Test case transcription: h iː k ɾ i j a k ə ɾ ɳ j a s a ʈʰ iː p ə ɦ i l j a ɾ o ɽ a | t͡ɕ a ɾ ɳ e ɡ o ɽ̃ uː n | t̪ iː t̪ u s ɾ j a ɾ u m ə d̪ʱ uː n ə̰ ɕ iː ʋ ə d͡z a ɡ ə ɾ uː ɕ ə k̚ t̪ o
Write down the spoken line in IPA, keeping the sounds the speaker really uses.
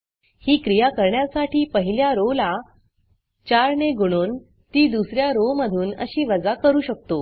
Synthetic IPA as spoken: h iː k ɾ i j a k ə ɾ ɳ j a s a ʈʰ iː p ə ɦ i l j a ɾ o l a | t͡ɕ a ɾ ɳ e ɡ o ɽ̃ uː n | t̪ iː d̪ u s ɾ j a ɾ o m ə d̪ʱ uː n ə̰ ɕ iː ʋ ə d͡z a k ə ɾ uː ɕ ə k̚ t̪ o